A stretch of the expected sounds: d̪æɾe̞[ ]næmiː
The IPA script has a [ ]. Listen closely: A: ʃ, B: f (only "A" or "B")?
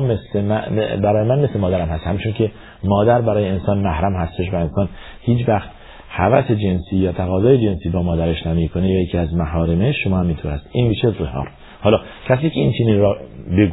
A